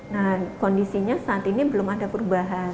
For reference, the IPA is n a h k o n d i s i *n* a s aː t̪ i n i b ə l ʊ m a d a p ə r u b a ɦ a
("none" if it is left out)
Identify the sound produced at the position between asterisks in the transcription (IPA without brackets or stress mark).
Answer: ɲ